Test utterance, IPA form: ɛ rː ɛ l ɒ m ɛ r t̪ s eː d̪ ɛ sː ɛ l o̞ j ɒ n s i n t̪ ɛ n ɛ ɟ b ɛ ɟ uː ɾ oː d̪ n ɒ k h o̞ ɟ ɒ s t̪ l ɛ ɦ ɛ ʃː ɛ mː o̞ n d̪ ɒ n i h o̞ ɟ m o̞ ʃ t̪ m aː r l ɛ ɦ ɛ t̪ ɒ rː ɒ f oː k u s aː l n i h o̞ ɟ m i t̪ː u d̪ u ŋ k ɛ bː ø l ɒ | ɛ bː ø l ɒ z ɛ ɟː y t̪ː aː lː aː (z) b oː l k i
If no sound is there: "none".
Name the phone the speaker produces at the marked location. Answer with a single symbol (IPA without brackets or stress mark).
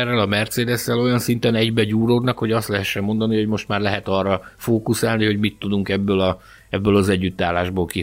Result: ʒ